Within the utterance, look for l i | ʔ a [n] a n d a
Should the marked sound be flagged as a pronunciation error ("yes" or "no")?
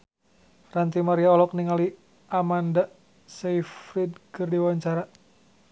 yes